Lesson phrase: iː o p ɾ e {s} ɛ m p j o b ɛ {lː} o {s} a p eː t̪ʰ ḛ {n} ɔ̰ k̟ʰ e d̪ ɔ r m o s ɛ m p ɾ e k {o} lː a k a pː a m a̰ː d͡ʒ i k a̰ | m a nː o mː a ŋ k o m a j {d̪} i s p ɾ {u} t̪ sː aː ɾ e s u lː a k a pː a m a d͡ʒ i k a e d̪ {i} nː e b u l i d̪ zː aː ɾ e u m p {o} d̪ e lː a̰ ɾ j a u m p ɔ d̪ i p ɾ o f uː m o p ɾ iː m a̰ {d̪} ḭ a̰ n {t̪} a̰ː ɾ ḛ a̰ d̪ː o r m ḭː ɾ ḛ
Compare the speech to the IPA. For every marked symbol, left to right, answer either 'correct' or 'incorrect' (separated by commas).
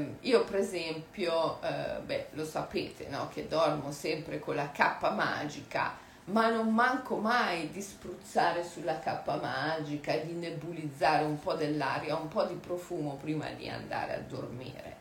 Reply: incorrect, incorrect, correct, correct, correct, correct, correct, correct, incorrect, correct, incorrect